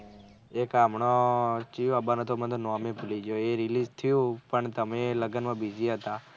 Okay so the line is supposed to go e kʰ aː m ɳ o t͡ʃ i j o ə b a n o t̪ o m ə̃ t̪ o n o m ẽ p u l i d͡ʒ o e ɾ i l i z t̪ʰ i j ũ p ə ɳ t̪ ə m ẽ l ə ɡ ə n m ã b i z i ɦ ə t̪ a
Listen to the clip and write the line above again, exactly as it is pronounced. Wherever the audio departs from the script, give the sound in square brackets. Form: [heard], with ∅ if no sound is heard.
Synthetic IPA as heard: e [k] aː m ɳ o t͡ʃ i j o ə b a n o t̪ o m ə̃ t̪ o n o m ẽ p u l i d͡ʒ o e ɾ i l i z t̪ʰ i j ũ p ə ɳ t̪ ə m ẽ l ə ɡ ə n m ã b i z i ɦ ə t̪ a